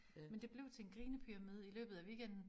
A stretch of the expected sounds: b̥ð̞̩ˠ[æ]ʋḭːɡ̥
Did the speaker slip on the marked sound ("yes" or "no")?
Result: no